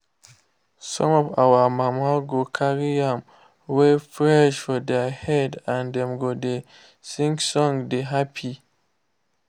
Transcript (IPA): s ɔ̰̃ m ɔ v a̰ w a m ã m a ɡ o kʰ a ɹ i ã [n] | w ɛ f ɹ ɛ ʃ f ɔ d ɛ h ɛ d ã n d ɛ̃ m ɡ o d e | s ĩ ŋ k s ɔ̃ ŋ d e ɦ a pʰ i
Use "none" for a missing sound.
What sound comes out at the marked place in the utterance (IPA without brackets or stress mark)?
m